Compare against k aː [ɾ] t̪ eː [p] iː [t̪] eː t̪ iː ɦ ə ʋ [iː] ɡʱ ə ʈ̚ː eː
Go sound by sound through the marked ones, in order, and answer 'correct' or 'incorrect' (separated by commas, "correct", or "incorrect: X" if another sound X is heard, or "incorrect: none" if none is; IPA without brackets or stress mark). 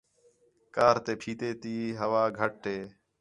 correct, incorrect: pʰ, correct, incorrect: aː